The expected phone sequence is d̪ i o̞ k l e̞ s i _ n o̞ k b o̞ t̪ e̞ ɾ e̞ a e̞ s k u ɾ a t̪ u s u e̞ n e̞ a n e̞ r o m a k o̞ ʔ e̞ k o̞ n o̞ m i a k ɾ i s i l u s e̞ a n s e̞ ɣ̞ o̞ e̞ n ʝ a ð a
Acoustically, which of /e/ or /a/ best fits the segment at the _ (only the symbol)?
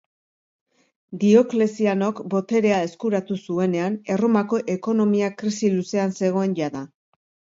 a